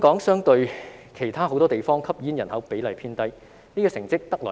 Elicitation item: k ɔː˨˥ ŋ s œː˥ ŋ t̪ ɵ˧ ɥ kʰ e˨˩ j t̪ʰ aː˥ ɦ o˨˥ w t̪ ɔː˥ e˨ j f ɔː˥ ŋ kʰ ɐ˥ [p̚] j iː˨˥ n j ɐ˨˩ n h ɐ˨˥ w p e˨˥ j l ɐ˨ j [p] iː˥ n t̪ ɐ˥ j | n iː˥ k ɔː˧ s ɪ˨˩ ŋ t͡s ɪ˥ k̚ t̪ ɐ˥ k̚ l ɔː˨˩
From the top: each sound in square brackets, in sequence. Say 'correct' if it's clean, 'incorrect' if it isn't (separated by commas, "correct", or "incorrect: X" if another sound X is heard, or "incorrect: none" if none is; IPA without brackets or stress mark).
correct, incorrect: pʰ